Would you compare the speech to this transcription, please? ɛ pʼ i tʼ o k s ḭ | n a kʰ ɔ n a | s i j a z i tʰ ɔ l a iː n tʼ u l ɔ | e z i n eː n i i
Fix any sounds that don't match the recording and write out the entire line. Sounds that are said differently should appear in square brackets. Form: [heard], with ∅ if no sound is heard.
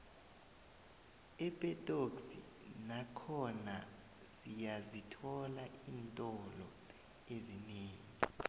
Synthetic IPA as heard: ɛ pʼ [ɛ] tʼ o k s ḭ | n a kʰ ɔ n a | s i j a z i tʰ ɔ l a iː n tʼ [ɔ] l ɔ | e z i n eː [ŋ] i i